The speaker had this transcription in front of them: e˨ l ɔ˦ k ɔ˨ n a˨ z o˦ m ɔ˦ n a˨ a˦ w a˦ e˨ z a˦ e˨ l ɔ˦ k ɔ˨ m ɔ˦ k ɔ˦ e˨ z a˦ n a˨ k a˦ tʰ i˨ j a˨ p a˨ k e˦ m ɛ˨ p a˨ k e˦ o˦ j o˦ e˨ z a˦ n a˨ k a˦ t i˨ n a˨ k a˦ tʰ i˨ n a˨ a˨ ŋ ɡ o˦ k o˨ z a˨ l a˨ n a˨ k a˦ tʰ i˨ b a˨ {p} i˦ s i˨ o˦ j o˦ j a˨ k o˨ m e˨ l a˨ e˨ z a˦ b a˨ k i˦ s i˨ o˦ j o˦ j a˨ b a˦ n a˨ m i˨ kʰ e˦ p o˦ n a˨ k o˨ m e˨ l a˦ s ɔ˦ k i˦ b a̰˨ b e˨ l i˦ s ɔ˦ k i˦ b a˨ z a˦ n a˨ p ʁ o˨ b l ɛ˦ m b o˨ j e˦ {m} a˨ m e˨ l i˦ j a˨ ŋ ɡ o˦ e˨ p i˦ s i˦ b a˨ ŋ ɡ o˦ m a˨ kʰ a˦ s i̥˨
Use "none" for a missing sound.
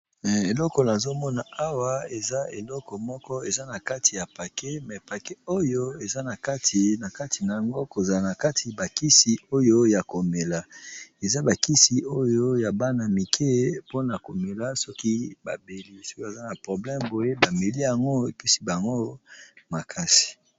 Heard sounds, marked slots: k, b

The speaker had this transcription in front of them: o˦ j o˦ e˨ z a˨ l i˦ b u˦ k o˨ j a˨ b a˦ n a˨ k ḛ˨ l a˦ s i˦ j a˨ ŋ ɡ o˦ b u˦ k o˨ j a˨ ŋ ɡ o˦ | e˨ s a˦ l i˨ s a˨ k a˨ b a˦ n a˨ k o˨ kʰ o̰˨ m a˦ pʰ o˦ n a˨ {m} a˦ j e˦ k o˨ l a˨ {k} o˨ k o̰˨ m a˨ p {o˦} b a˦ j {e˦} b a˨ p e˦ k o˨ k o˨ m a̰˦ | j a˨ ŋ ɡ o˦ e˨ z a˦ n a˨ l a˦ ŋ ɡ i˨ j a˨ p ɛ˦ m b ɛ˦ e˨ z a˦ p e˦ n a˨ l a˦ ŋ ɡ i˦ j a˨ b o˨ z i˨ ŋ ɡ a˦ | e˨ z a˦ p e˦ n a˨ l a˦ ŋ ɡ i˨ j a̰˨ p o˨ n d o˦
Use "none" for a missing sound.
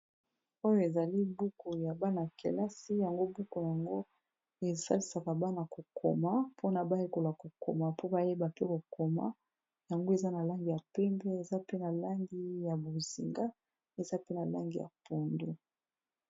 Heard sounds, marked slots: b, k, o˦, e˦

